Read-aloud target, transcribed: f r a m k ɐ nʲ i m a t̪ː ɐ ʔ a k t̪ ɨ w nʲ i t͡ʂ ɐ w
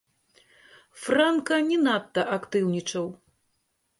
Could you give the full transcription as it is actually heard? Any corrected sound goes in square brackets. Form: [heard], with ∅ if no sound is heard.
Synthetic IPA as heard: f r a [n] k ɐ nʲ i [n] a t̪ː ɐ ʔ a k t̪ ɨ w nʲ i t͡ʂ ɐ w